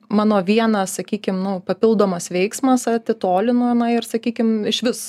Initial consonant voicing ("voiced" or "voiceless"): voiced